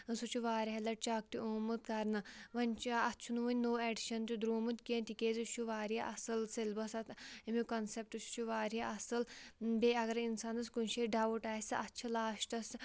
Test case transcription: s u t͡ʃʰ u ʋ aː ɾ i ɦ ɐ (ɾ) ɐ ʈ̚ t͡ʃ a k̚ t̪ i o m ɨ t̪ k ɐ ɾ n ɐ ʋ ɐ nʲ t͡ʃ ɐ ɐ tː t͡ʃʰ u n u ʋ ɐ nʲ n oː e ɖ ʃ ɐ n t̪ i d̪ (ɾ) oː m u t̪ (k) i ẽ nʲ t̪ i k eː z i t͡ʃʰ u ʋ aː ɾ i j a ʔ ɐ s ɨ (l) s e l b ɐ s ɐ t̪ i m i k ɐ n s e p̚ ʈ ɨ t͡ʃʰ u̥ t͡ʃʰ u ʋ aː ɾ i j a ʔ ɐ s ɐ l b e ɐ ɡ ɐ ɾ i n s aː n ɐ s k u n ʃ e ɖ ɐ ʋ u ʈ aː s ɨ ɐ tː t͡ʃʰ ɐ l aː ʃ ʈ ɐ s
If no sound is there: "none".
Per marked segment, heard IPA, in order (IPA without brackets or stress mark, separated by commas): l, ɾ, k, l